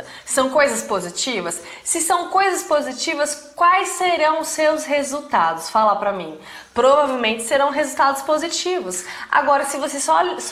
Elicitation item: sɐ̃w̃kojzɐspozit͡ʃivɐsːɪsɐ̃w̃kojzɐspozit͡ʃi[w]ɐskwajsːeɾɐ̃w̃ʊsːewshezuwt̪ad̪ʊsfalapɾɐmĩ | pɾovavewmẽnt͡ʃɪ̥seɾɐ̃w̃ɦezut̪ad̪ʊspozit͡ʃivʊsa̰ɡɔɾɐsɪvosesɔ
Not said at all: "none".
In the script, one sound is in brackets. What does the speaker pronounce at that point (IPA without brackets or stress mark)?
v